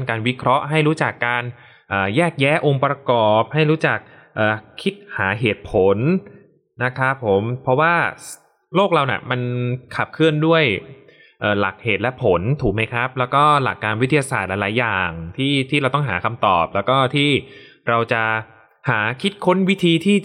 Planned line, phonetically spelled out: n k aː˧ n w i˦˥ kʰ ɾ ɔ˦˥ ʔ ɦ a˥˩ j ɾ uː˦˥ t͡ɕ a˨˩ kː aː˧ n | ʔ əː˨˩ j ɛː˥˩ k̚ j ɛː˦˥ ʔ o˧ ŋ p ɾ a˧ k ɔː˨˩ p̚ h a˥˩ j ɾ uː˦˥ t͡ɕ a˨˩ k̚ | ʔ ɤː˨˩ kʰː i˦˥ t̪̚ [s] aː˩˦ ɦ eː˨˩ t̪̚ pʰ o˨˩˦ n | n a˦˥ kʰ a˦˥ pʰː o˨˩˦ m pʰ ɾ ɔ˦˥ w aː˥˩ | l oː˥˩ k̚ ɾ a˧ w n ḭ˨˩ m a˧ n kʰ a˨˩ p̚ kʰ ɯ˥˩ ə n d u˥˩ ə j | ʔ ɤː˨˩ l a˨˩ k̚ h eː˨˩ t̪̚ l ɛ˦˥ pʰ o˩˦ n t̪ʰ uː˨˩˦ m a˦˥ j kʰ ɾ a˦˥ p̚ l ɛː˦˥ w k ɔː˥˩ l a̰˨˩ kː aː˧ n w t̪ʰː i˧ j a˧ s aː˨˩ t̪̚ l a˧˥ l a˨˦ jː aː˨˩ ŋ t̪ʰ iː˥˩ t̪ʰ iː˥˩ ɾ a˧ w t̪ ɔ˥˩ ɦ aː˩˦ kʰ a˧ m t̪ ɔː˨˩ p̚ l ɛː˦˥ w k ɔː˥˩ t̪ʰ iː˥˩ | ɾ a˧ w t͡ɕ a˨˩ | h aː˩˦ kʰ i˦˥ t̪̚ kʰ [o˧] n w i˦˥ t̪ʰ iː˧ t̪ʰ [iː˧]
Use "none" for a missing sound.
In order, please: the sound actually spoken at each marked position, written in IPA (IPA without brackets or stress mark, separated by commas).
h, o˦˥, iː˥˩